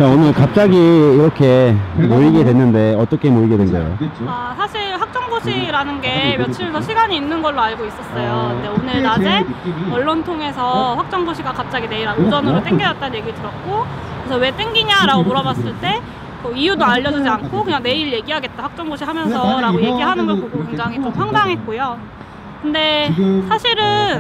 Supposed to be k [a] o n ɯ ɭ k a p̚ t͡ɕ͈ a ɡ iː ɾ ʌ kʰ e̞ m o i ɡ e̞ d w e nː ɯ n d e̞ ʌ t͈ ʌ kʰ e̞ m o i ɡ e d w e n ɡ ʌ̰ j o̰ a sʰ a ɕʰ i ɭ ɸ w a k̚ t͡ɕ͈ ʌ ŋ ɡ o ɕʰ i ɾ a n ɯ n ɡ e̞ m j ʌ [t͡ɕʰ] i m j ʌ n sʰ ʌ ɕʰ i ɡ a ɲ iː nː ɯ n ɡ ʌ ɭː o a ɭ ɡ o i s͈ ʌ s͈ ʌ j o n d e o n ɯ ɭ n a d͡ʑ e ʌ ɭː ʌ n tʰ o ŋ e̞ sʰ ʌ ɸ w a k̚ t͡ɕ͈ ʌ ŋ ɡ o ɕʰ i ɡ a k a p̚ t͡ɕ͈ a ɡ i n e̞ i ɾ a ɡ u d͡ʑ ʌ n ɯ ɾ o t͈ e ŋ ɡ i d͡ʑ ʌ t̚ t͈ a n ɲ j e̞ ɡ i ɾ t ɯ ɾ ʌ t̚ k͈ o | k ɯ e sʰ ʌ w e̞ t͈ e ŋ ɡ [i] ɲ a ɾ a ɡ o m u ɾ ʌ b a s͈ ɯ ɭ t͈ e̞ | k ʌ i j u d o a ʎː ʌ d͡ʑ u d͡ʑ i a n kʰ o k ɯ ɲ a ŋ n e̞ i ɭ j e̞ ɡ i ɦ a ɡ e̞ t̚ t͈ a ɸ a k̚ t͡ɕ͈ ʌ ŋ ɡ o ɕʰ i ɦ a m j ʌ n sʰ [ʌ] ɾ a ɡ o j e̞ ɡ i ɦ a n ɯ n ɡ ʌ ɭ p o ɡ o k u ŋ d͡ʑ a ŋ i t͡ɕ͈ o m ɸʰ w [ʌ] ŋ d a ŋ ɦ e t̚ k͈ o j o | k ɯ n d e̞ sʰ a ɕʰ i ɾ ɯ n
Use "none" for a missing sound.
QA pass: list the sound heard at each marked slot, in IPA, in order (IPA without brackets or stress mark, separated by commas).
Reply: a, t͡ɕʰ, i, ʌ, a